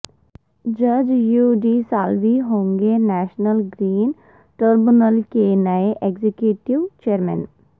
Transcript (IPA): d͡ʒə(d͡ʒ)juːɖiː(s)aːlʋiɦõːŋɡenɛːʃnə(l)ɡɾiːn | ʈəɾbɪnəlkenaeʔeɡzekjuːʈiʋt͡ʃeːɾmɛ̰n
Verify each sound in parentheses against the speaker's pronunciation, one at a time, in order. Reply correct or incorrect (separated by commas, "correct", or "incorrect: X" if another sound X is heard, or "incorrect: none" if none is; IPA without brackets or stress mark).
correct, correct, correct